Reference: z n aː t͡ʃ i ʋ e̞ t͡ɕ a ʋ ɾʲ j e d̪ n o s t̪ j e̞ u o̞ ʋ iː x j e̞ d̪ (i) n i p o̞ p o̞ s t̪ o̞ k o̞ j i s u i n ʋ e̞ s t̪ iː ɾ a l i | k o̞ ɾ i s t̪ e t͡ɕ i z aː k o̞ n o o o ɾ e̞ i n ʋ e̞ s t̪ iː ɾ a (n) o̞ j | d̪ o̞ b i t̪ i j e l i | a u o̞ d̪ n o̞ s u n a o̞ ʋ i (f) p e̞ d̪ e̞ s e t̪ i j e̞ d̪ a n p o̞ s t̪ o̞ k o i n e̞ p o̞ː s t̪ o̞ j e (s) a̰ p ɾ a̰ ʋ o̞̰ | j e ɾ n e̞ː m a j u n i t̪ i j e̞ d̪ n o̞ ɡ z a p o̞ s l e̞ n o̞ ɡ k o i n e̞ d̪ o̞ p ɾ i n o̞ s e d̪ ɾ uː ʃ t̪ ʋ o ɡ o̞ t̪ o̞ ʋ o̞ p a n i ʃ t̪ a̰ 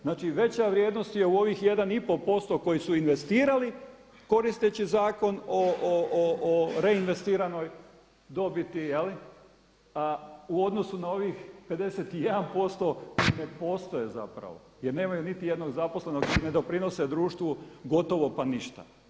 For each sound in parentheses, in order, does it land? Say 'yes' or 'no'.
no, yes, no, no

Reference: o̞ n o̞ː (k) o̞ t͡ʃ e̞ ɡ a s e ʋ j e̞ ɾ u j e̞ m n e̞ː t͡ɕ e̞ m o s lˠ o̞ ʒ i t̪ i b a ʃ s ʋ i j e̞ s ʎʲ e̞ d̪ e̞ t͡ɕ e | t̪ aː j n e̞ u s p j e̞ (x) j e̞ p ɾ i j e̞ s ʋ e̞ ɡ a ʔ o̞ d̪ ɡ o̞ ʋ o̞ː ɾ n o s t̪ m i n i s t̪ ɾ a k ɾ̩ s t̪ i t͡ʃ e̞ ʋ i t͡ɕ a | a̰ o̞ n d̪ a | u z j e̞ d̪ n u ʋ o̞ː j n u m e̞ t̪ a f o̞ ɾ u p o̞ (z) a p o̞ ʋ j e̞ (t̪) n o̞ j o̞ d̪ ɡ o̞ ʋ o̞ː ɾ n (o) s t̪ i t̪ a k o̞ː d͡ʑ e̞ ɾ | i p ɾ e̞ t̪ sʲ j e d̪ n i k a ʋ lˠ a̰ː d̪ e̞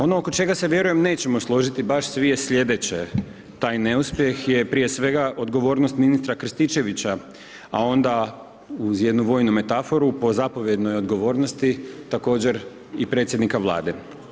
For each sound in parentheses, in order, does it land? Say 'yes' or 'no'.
yes, yes, yes, no, yes

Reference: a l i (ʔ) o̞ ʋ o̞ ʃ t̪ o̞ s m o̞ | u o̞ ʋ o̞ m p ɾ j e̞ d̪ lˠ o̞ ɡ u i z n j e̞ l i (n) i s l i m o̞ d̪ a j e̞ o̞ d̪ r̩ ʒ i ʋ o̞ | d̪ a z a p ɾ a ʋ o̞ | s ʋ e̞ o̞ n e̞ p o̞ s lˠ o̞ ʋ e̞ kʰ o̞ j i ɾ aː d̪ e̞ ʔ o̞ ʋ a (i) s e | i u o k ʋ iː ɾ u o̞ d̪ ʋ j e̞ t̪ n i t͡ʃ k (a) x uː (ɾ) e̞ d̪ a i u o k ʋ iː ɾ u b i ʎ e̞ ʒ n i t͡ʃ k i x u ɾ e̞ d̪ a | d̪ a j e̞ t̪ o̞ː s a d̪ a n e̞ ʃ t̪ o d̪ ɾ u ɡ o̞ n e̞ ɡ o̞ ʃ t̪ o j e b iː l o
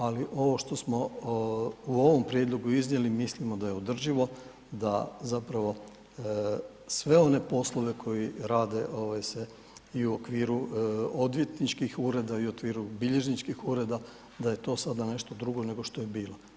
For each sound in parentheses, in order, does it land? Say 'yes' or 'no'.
yes, no, no, no, yes

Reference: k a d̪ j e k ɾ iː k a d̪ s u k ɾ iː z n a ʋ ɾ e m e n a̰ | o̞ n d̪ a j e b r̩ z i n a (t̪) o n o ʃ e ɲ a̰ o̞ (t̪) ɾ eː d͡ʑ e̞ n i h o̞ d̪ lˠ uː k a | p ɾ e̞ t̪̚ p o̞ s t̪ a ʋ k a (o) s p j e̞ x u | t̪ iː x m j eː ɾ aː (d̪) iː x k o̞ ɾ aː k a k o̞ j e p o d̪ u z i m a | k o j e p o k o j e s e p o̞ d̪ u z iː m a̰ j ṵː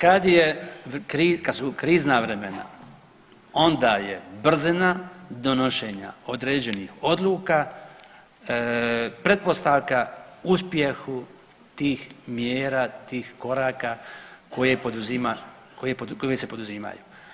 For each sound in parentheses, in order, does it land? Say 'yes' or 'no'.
no, no, no, no

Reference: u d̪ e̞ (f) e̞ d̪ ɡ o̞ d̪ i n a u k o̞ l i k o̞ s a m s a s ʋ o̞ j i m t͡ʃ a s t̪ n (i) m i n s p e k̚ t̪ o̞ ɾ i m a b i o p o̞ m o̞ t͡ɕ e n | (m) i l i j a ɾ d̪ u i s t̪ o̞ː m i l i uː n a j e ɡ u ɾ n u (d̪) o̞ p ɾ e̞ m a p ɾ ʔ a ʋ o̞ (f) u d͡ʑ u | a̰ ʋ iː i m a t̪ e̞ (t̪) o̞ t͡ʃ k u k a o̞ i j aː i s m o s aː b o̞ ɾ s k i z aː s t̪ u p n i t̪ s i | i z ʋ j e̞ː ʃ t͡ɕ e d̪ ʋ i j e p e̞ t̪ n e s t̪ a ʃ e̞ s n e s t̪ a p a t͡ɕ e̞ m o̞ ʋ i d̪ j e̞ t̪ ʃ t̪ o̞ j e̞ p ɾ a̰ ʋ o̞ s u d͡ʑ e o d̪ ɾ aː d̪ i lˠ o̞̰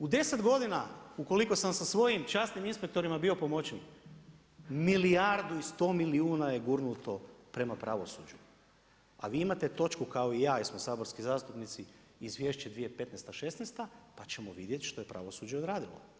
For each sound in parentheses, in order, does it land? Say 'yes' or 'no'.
no, yes, yes, no, no, yes

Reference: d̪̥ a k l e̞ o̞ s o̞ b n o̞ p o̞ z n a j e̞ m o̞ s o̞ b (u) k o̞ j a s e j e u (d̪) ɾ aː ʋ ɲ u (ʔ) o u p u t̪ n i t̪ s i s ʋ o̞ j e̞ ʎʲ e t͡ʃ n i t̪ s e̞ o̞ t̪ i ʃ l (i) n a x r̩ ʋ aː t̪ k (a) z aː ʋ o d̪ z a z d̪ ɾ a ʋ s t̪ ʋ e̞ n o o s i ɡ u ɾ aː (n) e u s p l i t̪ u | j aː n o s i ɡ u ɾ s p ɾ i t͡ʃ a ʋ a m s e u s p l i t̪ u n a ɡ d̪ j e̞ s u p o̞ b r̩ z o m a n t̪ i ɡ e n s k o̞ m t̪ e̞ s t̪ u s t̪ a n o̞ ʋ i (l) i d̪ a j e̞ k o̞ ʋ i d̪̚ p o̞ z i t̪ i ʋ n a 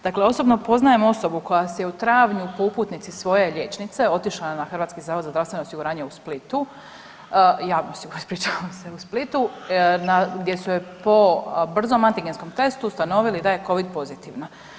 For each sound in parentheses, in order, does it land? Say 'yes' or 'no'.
yes, no, no, no, no, no, yes

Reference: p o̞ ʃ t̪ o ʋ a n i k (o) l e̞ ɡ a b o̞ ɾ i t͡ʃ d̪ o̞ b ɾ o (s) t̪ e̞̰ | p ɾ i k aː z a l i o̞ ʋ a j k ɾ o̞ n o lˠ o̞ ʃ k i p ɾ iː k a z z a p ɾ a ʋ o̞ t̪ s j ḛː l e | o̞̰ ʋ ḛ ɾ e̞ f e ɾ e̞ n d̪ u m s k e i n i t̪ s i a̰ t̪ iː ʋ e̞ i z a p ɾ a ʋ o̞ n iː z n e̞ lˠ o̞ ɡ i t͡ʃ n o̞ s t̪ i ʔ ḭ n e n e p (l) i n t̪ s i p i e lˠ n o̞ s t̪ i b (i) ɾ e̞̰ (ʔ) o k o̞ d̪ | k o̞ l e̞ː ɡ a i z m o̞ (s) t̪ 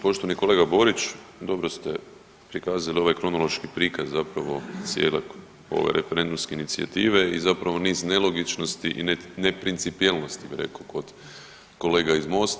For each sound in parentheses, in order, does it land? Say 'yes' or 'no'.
yes, yes, no, yes, no, yes

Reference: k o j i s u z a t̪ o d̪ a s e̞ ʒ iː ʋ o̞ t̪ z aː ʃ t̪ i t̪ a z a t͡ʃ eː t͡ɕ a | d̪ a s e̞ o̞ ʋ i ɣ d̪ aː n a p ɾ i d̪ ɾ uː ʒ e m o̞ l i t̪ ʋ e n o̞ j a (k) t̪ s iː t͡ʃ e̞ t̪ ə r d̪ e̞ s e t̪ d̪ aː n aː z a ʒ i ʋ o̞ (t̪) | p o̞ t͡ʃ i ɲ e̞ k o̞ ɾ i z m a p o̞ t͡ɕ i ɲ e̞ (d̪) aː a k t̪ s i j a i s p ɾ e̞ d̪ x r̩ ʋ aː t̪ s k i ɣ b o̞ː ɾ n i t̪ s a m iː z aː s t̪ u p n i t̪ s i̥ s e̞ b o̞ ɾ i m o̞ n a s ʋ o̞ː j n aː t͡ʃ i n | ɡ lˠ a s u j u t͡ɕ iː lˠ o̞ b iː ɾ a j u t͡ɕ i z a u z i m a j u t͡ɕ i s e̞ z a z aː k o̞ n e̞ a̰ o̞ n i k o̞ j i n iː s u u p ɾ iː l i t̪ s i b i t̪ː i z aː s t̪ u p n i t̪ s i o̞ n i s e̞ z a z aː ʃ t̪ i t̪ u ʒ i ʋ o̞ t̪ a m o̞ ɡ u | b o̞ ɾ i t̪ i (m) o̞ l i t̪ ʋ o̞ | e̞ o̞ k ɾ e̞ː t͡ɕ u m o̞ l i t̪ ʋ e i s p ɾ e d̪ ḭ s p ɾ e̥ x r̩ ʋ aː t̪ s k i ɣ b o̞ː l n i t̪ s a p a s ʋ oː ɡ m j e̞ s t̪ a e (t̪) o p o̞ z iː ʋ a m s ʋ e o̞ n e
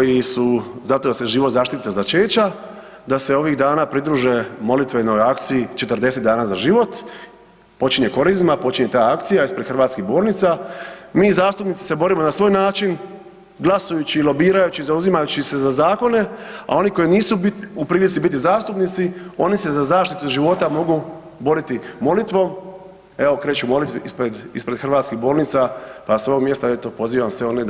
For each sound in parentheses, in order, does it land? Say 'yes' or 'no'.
yes, yes, no, yes, yes

